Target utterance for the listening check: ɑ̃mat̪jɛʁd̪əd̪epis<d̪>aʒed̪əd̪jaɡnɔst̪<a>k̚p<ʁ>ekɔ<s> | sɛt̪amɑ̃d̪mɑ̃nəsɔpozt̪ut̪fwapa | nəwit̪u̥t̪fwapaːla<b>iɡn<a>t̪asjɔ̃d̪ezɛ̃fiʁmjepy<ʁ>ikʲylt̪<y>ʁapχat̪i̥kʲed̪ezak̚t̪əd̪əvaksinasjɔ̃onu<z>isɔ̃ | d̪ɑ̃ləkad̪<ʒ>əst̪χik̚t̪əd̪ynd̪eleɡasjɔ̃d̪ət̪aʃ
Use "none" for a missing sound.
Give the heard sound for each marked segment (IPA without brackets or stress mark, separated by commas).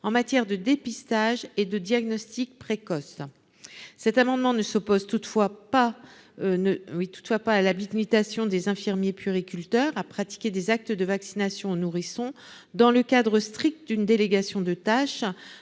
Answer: t̪, i, χ, s, b, i, ʁ, œ, ʁ, ʁ